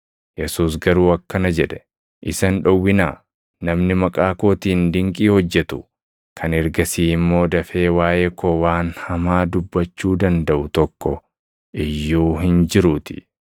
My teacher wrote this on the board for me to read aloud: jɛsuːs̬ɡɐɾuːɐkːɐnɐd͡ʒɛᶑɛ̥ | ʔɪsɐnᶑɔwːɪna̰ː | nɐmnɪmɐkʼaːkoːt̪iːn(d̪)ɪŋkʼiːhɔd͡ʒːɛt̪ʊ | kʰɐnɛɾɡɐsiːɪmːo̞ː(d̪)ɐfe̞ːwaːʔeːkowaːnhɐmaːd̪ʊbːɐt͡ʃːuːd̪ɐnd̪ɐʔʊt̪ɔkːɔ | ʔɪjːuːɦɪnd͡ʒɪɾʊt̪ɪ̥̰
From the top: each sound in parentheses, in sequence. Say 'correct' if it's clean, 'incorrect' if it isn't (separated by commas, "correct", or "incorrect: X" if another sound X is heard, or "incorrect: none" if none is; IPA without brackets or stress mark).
correct, correct